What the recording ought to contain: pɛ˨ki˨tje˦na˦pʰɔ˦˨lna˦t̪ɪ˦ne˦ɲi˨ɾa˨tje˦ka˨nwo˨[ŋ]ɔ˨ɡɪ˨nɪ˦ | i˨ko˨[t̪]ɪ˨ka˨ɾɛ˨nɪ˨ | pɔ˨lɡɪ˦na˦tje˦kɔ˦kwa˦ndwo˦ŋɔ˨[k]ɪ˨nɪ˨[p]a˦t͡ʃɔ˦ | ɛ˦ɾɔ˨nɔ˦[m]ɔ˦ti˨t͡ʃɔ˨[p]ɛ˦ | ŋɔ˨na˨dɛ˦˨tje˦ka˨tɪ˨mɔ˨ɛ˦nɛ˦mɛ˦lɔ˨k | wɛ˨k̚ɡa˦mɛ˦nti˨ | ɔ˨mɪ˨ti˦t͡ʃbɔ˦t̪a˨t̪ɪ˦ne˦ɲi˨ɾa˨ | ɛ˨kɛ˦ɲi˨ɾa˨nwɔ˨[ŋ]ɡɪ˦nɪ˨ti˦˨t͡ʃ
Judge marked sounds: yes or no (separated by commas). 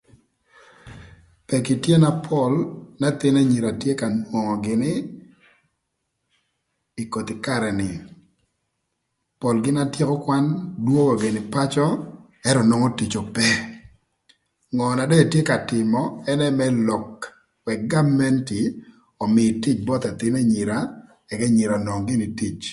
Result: yes, yes, no, yes, no, yes, yes